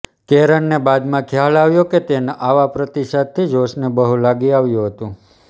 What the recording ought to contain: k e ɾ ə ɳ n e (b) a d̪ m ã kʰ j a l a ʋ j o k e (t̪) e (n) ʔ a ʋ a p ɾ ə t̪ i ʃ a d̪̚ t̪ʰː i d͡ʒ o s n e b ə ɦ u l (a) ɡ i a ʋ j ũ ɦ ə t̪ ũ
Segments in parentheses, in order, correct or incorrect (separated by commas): correct, correct, correct, correct